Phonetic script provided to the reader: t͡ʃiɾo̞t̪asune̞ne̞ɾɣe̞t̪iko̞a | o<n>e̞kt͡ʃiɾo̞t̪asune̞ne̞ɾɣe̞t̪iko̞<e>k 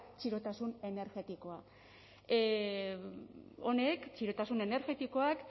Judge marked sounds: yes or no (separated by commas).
yes, no